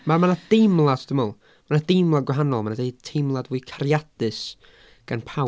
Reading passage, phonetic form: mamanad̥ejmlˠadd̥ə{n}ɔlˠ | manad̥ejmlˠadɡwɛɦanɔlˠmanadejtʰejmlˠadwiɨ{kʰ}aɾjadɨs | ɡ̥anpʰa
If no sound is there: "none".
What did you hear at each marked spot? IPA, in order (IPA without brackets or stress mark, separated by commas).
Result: m, kʰ